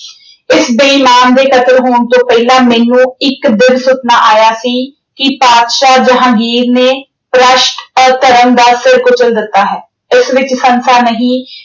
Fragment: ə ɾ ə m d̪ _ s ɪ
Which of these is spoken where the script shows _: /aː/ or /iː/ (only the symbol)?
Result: aː